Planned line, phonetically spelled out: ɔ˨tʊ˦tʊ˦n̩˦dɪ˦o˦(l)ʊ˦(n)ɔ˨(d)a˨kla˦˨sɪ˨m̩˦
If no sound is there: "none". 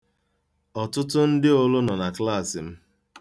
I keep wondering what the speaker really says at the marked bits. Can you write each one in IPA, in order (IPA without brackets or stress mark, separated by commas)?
l, n, n